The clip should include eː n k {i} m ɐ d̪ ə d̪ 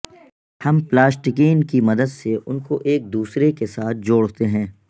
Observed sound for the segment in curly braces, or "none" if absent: i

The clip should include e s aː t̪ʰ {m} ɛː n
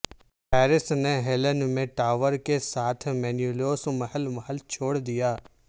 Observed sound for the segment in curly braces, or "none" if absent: m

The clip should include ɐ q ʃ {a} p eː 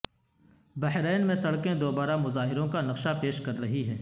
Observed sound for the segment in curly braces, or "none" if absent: a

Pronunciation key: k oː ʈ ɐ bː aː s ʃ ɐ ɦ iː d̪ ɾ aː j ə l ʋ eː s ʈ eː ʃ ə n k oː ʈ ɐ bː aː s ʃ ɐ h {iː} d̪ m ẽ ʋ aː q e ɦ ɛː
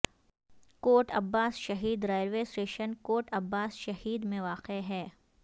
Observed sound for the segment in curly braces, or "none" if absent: iː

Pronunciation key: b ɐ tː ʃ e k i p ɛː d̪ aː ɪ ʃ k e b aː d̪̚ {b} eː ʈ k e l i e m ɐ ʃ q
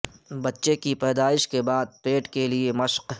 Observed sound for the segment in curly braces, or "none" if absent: p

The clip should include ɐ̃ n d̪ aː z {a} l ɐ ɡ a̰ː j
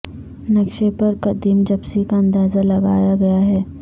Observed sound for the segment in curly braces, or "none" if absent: a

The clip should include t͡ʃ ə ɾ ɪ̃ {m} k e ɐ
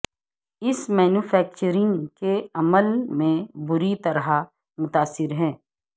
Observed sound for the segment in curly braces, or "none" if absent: ŋ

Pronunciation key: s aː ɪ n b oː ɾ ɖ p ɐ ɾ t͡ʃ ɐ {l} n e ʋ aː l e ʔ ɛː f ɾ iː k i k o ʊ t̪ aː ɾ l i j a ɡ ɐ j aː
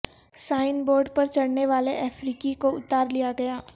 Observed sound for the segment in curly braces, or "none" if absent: ɽ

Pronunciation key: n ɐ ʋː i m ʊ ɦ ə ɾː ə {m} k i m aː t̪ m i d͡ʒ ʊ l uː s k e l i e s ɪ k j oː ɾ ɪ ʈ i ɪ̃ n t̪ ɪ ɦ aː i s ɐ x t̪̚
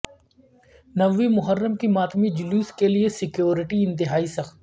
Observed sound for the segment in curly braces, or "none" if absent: m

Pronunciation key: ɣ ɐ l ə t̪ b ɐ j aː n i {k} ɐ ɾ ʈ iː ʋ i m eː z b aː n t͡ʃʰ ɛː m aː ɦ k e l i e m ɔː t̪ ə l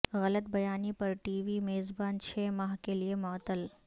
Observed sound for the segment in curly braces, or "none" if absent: p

